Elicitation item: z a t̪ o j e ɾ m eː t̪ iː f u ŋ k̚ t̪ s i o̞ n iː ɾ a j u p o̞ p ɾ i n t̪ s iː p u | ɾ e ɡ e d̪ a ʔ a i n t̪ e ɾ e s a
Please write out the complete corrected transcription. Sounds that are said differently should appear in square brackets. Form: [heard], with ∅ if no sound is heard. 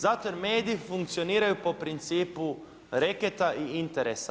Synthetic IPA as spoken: z a t̪ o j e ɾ m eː [d̪] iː f u ŋ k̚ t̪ s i o̞ n iː ɾ a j u p o̞ p ɾ i n t̪ s iː p u | ɾ e [k] e [t̪] a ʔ [i] i n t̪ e ɾ e s a